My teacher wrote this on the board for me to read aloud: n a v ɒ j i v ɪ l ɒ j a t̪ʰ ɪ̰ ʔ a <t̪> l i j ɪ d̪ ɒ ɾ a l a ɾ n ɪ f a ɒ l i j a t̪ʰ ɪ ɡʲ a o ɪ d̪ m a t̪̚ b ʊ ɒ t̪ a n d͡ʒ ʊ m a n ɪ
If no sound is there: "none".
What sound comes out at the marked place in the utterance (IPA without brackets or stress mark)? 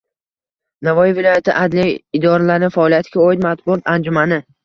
d̪